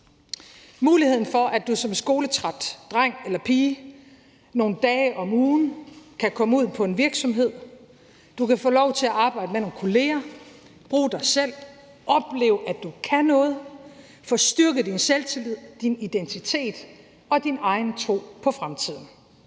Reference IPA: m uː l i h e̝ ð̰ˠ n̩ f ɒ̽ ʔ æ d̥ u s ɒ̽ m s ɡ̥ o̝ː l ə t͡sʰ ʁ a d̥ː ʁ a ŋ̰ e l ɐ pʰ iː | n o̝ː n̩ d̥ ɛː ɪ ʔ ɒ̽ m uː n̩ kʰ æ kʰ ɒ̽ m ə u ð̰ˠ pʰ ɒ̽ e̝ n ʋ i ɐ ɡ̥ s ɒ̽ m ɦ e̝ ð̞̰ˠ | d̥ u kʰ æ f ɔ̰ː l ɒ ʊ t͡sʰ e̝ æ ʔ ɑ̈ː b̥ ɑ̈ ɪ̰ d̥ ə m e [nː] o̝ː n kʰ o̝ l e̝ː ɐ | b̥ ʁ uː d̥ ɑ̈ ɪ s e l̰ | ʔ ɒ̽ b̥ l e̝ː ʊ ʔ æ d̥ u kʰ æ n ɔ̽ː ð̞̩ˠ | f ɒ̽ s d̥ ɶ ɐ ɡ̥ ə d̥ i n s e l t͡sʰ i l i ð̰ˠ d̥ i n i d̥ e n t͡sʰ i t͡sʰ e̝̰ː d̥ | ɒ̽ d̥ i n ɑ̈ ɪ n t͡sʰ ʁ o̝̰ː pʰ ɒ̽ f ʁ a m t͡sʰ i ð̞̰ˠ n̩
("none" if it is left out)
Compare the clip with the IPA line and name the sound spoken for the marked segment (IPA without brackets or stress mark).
n